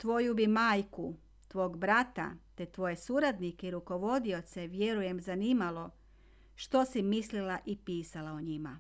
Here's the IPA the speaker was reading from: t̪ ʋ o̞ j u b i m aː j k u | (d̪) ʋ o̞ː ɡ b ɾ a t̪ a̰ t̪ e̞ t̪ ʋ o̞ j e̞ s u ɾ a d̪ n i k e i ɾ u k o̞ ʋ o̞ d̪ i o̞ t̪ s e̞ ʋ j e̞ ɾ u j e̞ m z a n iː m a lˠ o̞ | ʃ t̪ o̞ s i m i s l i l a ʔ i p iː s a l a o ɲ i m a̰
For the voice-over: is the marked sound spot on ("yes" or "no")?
no